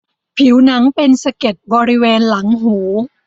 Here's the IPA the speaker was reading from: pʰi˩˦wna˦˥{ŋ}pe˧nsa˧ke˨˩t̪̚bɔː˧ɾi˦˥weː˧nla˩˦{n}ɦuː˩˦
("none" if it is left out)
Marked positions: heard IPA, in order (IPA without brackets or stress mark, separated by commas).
ŋ, ŋ